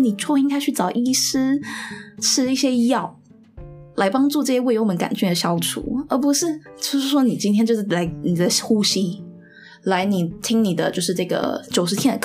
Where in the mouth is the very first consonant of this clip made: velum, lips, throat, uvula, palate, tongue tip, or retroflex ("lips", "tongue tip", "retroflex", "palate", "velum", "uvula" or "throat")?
tongue tip